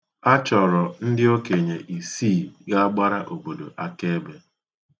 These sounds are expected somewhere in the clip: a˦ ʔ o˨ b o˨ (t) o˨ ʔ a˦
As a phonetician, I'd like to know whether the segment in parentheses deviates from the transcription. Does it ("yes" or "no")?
yes